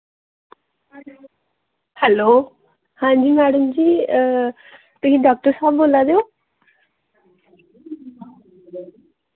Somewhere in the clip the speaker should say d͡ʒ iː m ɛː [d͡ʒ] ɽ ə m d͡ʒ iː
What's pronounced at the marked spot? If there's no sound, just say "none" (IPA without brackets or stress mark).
none